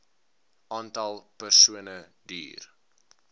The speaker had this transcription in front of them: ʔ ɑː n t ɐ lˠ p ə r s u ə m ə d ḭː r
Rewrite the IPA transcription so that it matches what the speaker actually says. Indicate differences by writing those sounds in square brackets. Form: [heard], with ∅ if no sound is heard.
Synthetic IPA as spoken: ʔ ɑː n t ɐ lˠ p ə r s u ə [n] ə d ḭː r